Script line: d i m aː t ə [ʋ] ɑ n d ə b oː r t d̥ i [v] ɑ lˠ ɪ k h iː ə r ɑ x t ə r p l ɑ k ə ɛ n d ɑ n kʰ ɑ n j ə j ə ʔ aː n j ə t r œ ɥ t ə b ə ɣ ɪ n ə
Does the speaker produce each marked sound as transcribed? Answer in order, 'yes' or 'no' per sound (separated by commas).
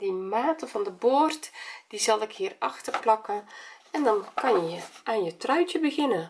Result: no, no